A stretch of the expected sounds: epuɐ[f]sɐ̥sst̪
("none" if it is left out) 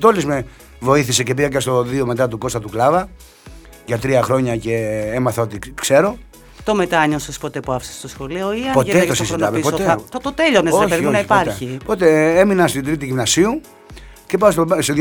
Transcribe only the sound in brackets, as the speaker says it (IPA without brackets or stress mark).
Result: f